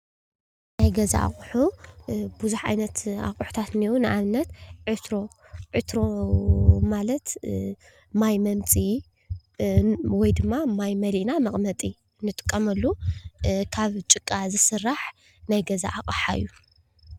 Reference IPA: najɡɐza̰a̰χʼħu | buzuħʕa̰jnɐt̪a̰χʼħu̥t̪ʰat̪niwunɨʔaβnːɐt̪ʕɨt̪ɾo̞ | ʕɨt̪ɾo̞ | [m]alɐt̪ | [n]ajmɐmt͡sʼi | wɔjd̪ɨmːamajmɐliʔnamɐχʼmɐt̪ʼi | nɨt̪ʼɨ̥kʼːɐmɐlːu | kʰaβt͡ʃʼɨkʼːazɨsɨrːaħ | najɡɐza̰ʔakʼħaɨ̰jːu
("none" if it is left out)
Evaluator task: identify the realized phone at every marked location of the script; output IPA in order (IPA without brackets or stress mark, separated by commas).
m, m